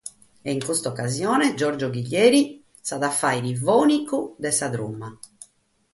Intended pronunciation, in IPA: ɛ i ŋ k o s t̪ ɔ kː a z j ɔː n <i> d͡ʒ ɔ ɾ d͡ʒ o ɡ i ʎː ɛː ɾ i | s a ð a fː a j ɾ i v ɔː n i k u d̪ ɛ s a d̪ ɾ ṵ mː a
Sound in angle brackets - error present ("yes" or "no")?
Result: yes